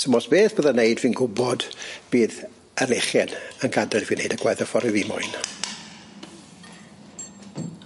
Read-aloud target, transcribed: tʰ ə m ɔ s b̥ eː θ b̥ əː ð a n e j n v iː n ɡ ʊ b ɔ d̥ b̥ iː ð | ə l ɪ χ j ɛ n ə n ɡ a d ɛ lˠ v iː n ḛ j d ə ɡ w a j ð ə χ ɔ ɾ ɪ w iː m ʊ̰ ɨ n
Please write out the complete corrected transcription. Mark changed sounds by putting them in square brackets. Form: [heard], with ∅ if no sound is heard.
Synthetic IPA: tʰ ə m ɔ s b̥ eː θ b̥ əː ð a n e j [d] v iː n ɡ ʊ b ɔ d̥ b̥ iː ð | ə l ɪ χ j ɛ n ə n ɡ a d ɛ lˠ v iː n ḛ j d ə ɡ w a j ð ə [f] ɔ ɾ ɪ [v] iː m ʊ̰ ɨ n